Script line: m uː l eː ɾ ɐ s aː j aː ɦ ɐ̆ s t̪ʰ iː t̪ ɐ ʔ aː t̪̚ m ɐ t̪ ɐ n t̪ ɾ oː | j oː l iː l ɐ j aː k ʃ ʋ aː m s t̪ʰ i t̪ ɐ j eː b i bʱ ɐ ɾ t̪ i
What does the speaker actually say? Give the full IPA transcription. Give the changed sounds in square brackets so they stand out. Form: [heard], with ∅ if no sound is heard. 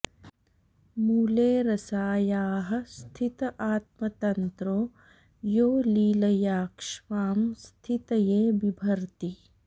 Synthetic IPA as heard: m uː l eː ɾ ɐ s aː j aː ɦ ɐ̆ s t̪ʰ [i] t̪ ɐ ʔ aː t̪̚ m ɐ t̪ ɐ n t̪ ɾ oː | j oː l iː l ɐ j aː k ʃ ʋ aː m s t̪ʰ i t̪ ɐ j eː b i bʱ ɐ ɾ t̪ i

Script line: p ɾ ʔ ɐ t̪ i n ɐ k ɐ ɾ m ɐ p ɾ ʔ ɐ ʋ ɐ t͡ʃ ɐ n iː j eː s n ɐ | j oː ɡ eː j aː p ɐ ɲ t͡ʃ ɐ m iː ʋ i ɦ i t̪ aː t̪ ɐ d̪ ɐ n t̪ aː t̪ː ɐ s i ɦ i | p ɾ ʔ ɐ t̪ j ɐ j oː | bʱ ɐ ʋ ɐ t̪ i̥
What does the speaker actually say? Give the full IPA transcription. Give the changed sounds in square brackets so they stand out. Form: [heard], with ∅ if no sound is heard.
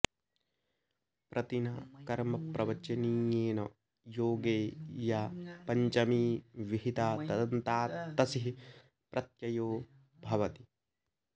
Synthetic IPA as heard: p ɾ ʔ ɐ t̪ i n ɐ k ɐ ɾ m ɐ p ɾ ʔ ɐ ʋ ɐ t͡ʃ ɐ n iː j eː [∅] n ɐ | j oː ɡ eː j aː p ɐ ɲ t͡ʃ ɐ m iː ʋ i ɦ i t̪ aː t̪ ɐ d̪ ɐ n t̪ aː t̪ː ɐ s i ɦ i | p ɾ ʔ ɐ t̪ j ɐ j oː | bʱ ɐ ʋ ɐ t̪ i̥

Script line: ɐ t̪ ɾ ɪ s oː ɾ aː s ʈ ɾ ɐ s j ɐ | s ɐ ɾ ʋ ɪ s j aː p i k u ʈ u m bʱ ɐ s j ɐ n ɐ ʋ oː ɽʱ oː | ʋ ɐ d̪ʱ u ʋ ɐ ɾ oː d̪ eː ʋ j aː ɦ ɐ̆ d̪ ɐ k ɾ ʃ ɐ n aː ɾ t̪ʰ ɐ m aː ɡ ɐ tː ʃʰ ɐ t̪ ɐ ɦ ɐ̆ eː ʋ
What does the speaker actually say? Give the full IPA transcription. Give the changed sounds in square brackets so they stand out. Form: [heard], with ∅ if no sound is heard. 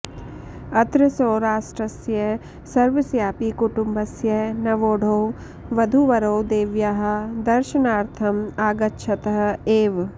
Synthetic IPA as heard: ɐ t̪ ɾ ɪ s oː ɾ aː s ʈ ɾ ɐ s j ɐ | s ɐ ɾ ʋ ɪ s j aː p i k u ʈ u m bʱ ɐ s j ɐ n ɐ ʋ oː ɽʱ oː | ʋ ɐ d̪ʱ u ʋ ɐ ɾ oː d̪ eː ʋ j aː ɦ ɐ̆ d̪ ɐ [∅] ɾ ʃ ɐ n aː ɾ t̪ʰ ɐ m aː ɡ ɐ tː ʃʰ ɐ t̪ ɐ ɦ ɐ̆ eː ʋ

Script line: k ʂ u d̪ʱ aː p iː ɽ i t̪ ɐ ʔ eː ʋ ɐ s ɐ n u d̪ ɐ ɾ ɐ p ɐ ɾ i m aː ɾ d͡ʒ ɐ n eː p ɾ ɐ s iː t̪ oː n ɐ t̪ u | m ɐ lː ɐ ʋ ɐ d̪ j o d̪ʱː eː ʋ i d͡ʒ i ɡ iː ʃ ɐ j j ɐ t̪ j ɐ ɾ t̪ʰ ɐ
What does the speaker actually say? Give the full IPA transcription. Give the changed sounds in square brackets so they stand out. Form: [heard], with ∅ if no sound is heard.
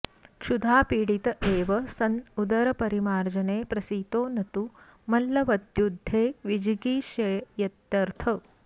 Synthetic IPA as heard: k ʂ u d̪ʱ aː p iː ɽ i t̪ ɐ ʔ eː ʋ ɐ s ɐ n u d̪ ɐ ɾ ɐ p ɐ ɾ i m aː ɾ d͡ʒ ɐ n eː p ɾ ɐ s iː t̪ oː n ɐ t̪ u | m ɐ lː ɐ ʋ ɐ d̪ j [u] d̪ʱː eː ʋ i d͡ʒ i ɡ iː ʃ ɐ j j ɐ t̪ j ɐ ɾ t̪ʰ ɐ

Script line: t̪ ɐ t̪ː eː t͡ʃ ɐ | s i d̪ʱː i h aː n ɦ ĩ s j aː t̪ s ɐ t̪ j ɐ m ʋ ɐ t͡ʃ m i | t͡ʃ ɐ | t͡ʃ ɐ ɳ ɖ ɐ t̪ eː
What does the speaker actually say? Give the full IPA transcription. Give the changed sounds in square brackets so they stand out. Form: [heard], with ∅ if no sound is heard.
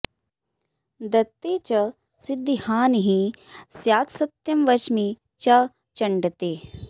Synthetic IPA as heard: [d̪] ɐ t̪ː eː t͡ʃ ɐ | s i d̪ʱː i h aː n ɦ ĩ s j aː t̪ s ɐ t̪ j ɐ m ʋ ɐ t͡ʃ m i | t͡ʃ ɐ | t͡ʃ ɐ ɳ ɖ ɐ t̪ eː

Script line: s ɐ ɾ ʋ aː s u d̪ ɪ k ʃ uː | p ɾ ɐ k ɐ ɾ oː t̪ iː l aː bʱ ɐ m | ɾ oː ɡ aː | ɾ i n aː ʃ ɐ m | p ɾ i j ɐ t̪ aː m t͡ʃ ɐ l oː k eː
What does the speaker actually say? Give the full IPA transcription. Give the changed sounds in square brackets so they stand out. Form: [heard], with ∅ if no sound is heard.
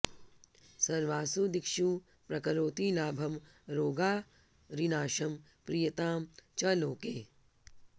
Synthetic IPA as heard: s ɐ ɾ ʋ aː s u d̪ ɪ k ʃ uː | p ɾ ɐ k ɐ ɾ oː t̪ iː l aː bʱ ɐ m | ɾ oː ɡ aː | ɾ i n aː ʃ ɐ m | p ɾ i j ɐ t̪ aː m t͡ʃ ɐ l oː k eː

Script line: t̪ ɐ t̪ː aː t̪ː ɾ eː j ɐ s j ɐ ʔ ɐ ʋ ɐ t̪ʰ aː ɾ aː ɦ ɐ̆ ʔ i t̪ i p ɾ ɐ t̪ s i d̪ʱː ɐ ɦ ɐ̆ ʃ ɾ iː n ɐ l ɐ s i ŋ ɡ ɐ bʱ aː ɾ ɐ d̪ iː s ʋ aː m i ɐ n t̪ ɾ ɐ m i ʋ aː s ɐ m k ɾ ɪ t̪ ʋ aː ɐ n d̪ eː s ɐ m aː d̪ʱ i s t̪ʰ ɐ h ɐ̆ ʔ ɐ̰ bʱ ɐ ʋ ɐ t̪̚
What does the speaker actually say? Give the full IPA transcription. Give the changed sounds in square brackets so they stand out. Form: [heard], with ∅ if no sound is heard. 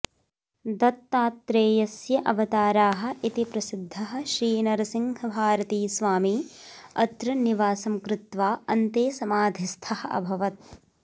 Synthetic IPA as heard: [d̪] ɐ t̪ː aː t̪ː ɾ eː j ɐ s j ɐ ʔ ɐ ʋ ɐ [t̪] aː ɾ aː ɦ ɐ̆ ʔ i t̪ i p ɾ ɐ [∅] s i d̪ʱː ɐ ɦ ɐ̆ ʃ ɾ iː n ɐ [ɾ] ɐ s i ŋ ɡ ɐ bʱ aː ɾ ɐ [t̪] iː s ʋ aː m i ɐ [∅] t̪ ɾ ɐ [n] i ʋ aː s ɐ m k ɾ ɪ t̪ ʋ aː ɐ n [t̪] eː s ɐ m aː d̪ʱ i s t̪ʰ ɐ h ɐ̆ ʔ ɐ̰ bʱ ɐ ʋ ɐ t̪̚

